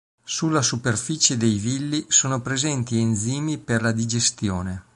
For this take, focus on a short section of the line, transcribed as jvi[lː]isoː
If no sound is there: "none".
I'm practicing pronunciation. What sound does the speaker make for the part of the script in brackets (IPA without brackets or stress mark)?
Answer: lː